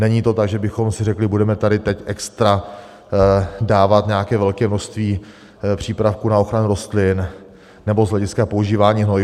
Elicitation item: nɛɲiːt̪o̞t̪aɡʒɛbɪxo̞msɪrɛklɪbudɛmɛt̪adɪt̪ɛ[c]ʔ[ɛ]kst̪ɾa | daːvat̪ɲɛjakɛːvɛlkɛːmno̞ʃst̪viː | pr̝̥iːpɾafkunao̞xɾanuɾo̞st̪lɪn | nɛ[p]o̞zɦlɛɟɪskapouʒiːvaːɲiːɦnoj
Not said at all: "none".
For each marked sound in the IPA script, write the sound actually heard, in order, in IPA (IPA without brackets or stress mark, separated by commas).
c, ɛ, b